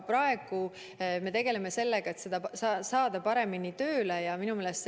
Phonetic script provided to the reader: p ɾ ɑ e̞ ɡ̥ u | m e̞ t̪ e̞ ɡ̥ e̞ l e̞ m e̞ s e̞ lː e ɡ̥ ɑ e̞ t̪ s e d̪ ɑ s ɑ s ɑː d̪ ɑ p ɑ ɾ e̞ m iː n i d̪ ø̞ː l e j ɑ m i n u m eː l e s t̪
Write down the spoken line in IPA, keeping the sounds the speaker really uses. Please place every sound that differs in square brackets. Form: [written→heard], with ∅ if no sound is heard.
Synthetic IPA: p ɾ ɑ e̞ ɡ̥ u | m e̞ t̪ e̞ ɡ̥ e̞ l e̞ m e̞ s e̞ lː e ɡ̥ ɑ e̞ t̪ s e d̪ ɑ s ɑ s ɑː d̪ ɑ p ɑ ɾ e̞ m [iː→i] n i [d̪→t̪] ø̞ː l e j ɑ m i n u m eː l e s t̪